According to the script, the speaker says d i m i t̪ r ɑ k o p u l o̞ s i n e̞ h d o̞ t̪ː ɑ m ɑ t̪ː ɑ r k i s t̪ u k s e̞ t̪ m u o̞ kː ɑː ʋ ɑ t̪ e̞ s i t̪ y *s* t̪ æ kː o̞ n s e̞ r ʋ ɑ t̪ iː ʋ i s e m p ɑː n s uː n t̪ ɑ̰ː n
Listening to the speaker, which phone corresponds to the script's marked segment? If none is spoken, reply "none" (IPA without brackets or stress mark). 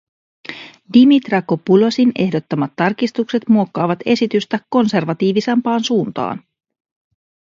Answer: s